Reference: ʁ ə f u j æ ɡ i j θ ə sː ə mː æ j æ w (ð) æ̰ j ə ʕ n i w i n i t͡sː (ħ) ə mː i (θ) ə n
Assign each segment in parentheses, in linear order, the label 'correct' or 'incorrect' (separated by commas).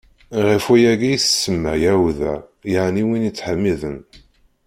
correct, correct, incorrect